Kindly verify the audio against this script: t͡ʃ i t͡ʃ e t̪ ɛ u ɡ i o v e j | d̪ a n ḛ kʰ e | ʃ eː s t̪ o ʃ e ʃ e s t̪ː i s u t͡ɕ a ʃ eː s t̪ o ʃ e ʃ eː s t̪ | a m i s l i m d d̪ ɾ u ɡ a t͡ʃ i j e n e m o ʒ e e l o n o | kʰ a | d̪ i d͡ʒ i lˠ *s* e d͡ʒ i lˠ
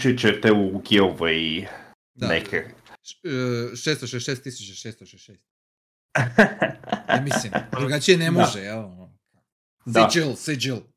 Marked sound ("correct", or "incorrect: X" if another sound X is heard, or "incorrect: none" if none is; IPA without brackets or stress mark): correct